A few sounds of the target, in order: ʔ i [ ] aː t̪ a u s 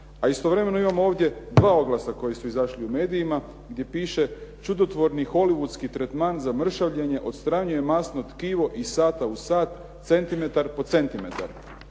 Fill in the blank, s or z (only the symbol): s